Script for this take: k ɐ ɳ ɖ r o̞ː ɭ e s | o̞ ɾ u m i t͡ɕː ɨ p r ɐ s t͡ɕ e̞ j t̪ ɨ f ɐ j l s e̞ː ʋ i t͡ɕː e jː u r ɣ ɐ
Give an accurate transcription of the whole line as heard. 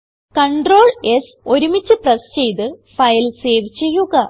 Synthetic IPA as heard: k ɐ ɳ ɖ r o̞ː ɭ e s | o̞ ɾ u m i t͡ɕː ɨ p r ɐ s t͡ɕ e̞ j t̪ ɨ f ɐ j l s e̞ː ʋ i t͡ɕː e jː u ɣ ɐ